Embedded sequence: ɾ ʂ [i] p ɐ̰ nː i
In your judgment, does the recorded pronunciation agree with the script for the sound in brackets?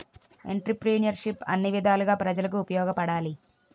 yes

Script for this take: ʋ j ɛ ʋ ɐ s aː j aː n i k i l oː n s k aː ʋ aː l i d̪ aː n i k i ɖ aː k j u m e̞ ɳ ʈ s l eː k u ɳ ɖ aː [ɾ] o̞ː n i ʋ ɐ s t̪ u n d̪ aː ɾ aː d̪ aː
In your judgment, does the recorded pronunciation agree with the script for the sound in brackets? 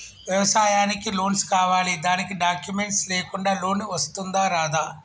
no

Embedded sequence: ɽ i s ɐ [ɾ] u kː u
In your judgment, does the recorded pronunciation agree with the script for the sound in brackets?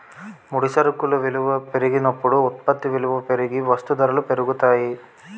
yes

